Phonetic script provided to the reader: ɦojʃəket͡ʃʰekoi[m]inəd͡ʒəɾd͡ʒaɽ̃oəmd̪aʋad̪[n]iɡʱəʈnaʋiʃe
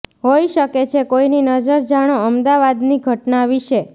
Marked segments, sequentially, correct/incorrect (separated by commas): incorrect, correct